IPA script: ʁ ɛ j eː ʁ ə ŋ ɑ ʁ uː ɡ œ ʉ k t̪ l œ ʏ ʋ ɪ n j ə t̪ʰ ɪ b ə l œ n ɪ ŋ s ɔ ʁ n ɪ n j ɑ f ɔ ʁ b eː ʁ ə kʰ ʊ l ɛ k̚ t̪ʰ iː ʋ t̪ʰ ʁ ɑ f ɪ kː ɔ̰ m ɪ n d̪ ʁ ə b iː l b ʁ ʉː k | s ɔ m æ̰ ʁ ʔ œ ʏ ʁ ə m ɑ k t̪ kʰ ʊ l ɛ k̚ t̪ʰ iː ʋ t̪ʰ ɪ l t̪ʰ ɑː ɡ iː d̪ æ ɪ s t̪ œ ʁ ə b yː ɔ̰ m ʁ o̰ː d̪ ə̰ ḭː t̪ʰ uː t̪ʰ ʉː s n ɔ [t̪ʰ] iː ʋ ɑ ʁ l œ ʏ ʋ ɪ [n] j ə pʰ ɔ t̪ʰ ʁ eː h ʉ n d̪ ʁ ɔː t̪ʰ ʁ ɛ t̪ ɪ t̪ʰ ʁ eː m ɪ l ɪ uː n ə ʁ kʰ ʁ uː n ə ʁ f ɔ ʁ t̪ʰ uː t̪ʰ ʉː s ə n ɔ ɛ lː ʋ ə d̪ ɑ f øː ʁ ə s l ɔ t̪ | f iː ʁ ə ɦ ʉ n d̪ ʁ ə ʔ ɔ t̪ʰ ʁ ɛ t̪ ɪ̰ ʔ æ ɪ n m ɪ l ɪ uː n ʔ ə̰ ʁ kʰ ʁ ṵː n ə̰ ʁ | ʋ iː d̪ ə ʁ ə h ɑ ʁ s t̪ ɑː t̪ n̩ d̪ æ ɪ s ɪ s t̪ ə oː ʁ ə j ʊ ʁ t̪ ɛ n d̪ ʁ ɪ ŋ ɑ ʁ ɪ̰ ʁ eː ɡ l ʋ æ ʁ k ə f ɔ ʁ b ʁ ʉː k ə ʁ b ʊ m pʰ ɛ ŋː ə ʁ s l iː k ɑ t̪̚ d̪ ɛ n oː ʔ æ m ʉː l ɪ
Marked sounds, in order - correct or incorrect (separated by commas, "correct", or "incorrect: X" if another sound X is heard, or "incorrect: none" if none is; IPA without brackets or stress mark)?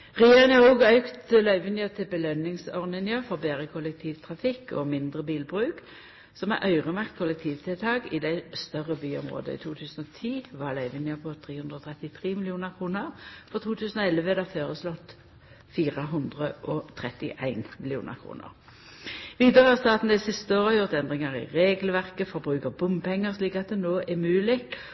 correct, correct